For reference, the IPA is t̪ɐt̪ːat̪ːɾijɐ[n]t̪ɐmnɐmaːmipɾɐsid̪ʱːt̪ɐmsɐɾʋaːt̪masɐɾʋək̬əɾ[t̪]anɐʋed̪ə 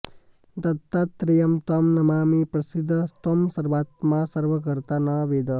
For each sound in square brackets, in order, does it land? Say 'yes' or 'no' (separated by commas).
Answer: no, yes